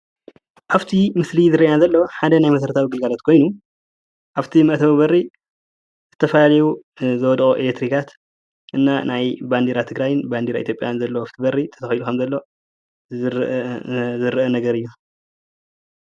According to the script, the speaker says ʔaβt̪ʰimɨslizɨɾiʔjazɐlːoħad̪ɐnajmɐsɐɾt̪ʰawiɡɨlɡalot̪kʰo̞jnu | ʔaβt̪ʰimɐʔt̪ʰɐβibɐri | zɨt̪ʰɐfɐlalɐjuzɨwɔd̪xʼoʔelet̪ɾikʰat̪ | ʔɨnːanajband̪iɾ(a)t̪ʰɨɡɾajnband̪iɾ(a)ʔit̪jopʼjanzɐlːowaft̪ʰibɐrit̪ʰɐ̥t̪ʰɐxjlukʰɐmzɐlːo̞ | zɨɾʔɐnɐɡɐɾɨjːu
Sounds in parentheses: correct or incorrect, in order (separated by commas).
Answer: correct, correct